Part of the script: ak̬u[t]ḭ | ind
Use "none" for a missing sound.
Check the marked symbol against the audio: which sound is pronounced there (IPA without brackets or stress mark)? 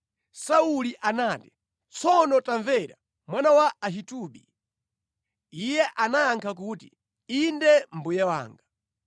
t